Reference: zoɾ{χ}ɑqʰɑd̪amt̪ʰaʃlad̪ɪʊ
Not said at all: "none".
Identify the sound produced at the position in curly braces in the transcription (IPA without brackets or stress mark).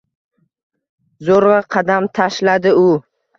ʁ